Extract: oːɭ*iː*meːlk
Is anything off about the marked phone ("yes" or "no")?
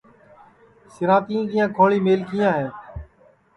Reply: no